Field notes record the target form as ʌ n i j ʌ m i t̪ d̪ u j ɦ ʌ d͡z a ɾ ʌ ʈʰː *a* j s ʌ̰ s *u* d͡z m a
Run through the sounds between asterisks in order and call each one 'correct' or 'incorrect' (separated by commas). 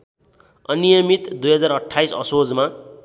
correct, incorrect